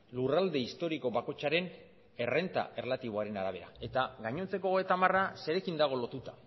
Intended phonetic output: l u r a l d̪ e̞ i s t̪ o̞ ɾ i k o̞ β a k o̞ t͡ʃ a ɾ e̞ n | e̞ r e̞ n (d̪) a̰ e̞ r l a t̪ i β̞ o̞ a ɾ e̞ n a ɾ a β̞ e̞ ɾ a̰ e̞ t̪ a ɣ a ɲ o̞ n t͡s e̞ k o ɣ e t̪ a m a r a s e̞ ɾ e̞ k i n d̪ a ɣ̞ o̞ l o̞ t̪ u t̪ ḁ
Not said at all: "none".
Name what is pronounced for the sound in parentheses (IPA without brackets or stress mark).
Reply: t̪